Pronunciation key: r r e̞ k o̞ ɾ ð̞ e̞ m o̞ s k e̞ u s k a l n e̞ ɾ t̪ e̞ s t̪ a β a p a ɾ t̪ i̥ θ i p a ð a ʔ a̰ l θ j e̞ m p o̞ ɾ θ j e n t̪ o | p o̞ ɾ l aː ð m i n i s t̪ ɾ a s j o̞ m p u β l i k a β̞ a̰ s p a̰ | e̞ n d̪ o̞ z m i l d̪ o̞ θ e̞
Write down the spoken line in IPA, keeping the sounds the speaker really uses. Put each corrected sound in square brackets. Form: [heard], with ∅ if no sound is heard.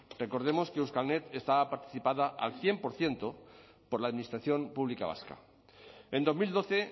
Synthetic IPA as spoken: r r e̞ k o̞ ɾ ð̞ e̞ m o̞ s k e̞ u s k a l n e̞ [∅] t̪ e̞ s t̪ a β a p a ɾ t̪ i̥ θ i p a ð a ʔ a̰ l θ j e̞ m p o̞ ɾ θ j e n t̪ o | p o̞ ɾ l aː ð m i n i s t̪ ɾ a [θ] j o̞ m p u β l i k a β̞ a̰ s [k] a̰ | e̞ n d̪ o̞ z m i l d̪ o̞ θ e̞